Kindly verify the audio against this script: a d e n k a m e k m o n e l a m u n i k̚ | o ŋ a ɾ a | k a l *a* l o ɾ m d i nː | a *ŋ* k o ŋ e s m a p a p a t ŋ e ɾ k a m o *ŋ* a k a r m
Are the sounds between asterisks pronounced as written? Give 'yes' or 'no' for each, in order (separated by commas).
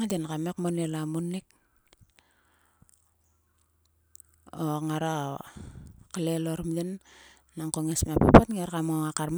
no, yes, yes